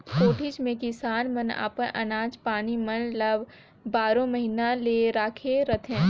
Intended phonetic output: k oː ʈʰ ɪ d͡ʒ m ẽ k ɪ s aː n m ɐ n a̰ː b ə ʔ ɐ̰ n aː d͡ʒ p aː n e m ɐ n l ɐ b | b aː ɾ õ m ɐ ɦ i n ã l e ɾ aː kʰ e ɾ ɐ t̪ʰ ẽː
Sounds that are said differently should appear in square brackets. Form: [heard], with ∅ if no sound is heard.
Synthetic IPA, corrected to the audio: k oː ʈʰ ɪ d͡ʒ m ẽ k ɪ s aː n m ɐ n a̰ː [p] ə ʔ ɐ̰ n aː d͡ʒ p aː n [i] m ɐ n l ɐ b | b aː ɾ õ m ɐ ɦ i n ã l e ɾ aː kʰ e ɾ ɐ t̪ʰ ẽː